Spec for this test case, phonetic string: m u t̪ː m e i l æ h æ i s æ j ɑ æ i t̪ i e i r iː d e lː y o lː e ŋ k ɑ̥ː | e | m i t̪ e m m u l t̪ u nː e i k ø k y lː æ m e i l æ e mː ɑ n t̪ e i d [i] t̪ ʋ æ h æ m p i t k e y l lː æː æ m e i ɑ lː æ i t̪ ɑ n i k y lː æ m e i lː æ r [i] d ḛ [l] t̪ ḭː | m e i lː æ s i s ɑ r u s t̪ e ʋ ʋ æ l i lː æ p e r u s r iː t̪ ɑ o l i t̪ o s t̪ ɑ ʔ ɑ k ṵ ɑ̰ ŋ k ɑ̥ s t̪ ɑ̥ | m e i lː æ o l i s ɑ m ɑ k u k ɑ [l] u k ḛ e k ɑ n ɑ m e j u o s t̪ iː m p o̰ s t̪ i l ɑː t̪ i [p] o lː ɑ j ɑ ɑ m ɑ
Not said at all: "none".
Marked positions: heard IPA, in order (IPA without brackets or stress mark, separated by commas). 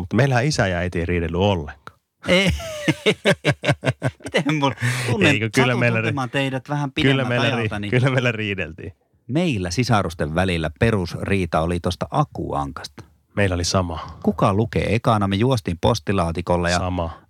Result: æ, iː, l, l, k